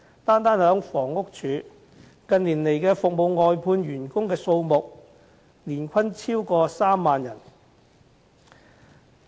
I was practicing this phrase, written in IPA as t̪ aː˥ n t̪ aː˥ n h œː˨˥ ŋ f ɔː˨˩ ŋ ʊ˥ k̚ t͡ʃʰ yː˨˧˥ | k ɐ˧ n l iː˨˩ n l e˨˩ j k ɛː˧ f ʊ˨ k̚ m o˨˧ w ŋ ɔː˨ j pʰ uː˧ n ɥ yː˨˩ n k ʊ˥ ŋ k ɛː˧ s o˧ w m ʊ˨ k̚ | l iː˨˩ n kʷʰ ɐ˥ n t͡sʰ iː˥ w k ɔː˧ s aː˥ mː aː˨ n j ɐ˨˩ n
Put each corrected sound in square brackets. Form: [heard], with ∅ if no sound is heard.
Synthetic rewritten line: t̪ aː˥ n t̪ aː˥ n h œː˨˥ ŋ f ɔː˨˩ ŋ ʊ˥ k̚ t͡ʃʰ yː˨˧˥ | k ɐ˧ n l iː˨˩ n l e˨˩ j k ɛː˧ f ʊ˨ k̚ m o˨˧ w ŋ ɔː˨ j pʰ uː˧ n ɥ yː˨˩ n k ʊ˥ ŋ k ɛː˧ s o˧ w m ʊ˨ k̚ | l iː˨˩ n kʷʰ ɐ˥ n t͡sʰ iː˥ w k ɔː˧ s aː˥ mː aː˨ n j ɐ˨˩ n

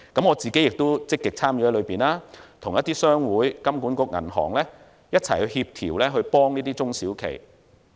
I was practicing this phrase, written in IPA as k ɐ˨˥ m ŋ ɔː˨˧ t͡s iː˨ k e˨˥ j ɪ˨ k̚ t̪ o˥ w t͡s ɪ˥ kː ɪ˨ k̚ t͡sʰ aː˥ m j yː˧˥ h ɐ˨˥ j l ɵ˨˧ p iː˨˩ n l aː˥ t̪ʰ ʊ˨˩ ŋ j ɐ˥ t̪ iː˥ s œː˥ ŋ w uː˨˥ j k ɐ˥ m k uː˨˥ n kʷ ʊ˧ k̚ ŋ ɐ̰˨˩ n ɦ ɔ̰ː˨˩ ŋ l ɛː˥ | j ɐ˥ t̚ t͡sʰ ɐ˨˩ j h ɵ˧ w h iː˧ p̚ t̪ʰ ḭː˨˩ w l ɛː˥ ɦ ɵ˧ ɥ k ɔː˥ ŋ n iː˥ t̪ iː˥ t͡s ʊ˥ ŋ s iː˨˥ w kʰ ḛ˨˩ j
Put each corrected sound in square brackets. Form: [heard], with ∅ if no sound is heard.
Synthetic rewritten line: k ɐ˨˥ m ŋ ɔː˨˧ t͡s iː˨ k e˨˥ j ɪ˨ k̚ t̪ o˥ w t͡s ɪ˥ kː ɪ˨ k̚ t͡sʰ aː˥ m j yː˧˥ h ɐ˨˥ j l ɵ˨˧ p iː˨˩ n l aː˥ t̪ʰ ʊ˨˩ ŋ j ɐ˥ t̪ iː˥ s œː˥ ŋ w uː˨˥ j k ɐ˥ m k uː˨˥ n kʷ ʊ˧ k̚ ŋ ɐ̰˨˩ n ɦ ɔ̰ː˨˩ ŋ l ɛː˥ | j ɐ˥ t̚ t͡sʰ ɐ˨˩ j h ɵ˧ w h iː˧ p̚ t̪ʰ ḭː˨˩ w l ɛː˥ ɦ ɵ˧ ɥ [p] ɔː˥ ŋ n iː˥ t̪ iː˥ t͡s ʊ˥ ŋ s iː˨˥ w kʰ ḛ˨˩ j

